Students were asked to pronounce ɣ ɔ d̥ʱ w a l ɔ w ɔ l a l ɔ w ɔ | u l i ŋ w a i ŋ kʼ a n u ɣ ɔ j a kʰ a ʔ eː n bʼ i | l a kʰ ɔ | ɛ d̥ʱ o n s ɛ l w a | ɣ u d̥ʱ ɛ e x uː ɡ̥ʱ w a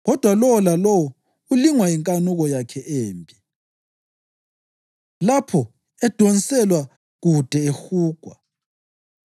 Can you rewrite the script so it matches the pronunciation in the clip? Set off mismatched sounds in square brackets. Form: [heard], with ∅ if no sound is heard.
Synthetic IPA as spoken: ɣ ɔ d̥ʱ w a l ɔ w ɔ l a l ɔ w ɔ | u l i ŋ w a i ŋ kʼ a n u ɣ ɔ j a kʰ [ɛ] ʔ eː [m] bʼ i | l a [pʰ] ɔ | ɛ d̥ʱ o n s ɛ l w a | ɣ u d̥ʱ ɛ e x uː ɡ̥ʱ w a

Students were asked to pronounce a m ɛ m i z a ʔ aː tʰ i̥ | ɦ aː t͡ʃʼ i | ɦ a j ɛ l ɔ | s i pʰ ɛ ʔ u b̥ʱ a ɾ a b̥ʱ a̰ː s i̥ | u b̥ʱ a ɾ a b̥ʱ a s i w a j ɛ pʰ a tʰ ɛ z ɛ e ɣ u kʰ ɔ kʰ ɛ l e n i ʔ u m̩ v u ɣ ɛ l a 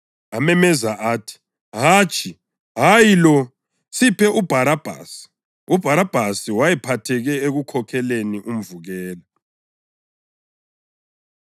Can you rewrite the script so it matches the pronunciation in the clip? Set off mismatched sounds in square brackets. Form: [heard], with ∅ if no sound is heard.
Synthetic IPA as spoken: a m ɛ m [ɛ] z a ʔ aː tʰ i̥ | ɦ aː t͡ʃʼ i | ɦ a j [i] l ɔ | s i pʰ ɛ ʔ u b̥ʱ a ɾ a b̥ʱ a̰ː s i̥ | u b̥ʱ a ɾ a b̥ʱ a s i w a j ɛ pʰ a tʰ ɛ [ɣ] ɛ e ɣ u kʰ ɔ kʰ ɛ l e n i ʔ u m̩ v u ɣ [ɛː] l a

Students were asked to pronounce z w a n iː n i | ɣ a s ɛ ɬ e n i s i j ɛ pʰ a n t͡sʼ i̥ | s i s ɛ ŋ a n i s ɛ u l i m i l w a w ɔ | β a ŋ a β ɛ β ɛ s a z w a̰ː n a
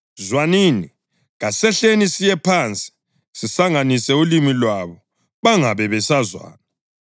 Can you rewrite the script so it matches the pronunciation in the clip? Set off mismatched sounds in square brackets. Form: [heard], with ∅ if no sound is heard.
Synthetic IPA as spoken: z w a n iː n i | ɣ a s ɛ ɬ e n i s i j ɛ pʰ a n t͡sʼ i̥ | s i s [a] ŋ a n i s ɛ u l i m i l w a [β] ɔ | β a ŋ a β ɛ β ɛ s a z w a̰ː n a

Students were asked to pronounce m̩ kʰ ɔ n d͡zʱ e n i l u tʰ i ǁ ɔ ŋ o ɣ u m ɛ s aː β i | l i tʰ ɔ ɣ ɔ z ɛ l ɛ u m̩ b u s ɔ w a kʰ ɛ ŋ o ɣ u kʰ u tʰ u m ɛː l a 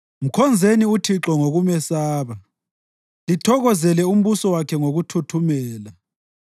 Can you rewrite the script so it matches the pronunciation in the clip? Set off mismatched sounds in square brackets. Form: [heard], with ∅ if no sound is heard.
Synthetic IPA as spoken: m̩ kʰ ɔ n d͡zʱ e n i [∅] u tʰ i ǁ ɔ ŋ o ɣ u m ɛ s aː β [a] | l i tʰ ɔ ɣ ɔ z ɛ l ɛ u m̩ [β] u s ɔ w a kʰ ɛ ŋ o ɣ u [tʰ] u tʰ u m ɛː l a

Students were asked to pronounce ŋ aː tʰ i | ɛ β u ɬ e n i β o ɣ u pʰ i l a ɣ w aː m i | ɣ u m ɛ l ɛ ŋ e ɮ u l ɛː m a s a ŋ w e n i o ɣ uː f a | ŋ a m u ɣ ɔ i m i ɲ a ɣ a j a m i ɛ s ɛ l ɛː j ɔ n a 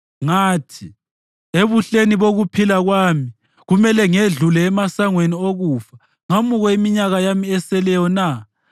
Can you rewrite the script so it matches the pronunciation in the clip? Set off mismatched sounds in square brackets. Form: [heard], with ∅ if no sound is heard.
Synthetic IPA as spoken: ŋ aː tʰ i | [e] β u ɬ e n i β o ɣ u pʰ i l a ɣ w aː m i | ɣ u m ɛ l ɛ ŋ e ɮ u l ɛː m a s a ŋ w e n i o ɣ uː f a | ŋ a m u ɣ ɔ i m i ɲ a ɣ a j a m i ɛ s ɛ l [ɛ] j ɔ n a

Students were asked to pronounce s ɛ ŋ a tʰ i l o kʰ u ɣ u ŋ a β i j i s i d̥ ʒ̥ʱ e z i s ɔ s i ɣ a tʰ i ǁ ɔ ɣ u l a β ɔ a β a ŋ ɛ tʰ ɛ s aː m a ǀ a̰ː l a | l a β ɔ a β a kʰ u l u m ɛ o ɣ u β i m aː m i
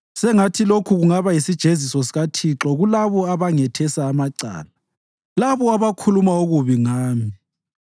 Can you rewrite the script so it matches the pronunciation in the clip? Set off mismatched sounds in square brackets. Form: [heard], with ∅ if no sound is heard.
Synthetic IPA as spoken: s ɛ ŋ a tʰ i l o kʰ u ɣ u ŋ a β [a] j i s i d̥ ʒ̥ʱ e z i s ɔ s i ɣ a tʰ i ǁ ɔ ɣ u l a β ɔ a β a ŋ ɛ tʰ ɛ s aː m a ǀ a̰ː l a | l a β ɔ a β a kʰ u l u m [a] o ɣ u β i [ŋ] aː m i

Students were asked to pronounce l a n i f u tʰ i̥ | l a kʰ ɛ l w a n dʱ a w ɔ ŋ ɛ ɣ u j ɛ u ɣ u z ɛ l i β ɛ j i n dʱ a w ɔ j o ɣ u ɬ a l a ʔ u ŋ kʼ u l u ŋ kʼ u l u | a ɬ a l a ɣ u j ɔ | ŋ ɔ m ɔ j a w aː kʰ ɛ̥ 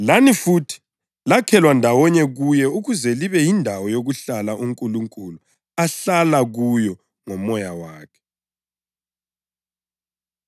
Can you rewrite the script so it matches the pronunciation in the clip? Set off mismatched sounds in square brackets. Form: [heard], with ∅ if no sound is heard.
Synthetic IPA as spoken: l a n i f u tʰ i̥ | l a kʰ ɛ l w a n dʱ a w ɔ [ɲ] ɛ ɣ u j ɛ u ɣ u z ɛ l i β ɛ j i n dʱ a w ɔ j o ɣ u ɬ a l a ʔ u ŋ kʼ u l u ŋ kʼ u l u | a ɬ a l a ɣ u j ɔ | ŋ ɔ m ɔ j a w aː kʰ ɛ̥

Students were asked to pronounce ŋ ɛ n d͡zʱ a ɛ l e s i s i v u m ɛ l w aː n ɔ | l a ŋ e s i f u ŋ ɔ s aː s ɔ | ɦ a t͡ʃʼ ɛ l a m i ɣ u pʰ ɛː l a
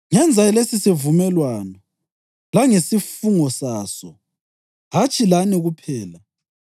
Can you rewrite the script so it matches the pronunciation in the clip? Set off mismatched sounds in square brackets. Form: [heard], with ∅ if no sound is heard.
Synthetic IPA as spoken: ŋ ɛ n d͡zʱ a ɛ l e s i s i v u m ɛ l w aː n ɔ | l a ŋ e s i f u ŋ ɔ s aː s ɔ | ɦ a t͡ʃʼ [i] l a [n] i ɣ u pʰ ɛː l a

